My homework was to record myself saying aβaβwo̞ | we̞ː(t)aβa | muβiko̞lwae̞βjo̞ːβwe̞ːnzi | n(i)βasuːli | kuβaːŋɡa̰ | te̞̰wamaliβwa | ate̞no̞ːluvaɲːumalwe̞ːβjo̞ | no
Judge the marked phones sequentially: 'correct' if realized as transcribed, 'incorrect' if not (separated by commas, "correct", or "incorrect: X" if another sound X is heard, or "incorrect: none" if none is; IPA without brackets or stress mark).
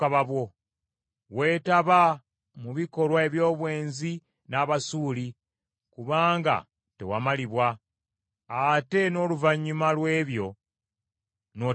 correct, incorrect: a